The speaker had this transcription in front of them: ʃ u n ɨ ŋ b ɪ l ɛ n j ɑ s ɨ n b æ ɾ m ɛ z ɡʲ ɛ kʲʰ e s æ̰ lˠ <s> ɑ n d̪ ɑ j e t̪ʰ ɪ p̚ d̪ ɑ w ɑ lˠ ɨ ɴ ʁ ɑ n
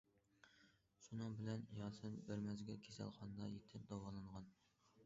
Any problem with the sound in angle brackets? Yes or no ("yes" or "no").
yes